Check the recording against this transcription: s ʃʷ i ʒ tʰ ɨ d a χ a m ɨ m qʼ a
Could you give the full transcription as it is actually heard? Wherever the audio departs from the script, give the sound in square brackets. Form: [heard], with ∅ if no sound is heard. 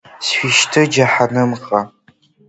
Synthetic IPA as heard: s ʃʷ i [ʃ] tʰ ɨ [d͡ʒ] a [ħ] a [n] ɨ m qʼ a